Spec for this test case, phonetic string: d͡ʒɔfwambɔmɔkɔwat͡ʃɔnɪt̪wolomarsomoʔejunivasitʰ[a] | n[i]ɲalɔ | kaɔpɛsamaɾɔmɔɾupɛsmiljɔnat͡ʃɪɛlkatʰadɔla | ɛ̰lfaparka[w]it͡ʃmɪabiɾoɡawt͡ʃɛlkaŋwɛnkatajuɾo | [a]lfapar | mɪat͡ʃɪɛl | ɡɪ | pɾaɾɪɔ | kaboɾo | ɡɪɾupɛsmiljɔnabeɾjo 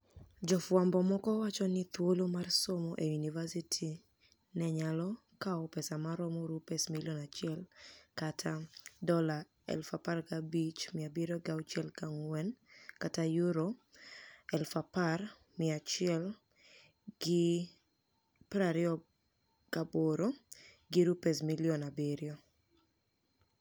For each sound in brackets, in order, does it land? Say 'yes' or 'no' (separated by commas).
no, no, no, no